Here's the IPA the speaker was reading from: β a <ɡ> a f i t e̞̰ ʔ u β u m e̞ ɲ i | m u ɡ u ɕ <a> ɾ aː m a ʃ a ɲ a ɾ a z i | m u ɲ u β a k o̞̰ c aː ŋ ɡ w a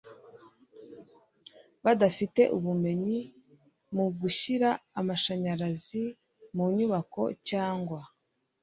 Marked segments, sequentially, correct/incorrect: incorrect, incorrect

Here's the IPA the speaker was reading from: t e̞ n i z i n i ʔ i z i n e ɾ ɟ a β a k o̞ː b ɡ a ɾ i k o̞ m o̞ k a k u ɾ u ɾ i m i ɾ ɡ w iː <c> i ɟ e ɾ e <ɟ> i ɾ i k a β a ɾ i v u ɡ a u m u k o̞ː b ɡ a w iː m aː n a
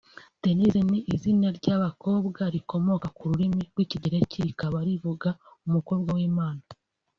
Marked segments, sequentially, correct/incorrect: correct, incorrect

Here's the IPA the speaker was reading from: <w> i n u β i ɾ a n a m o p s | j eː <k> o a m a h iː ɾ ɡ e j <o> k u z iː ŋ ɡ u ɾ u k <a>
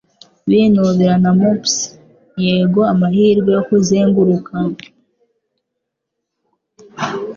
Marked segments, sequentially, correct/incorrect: incorrect, incorrect, correct, correct

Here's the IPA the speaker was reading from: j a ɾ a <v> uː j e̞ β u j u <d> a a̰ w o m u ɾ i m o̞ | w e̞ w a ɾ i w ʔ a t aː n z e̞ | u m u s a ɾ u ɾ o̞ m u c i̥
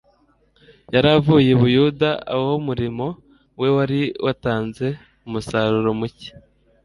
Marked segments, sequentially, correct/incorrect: correct, correct

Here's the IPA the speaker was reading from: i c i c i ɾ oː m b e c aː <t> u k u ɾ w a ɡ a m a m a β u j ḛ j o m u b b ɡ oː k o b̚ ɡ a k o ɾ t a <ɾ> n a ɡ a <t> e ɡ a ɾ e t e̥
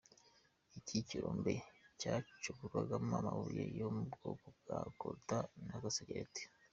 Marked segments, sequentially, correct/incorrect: incorrect, incorrect, incorrect

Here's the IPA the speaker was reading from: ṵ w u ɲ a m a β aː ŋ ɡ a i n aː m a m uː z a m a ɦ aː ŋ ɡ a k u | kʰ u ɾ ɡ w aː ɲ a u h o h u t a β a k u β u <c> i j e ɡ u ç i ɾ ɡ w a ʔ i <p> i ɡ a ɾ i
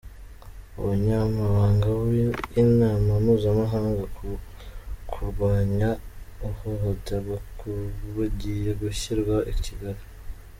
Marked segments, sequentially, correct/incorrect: incorrect, incorrect

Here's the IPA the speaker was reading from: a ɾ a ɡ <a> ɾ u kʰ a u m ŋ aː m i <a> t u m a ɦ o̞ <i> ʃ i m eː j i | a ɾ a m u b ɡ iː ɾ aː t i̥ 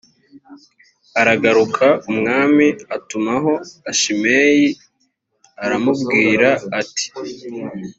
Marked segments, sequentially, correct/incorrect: correct, correct, incorrect

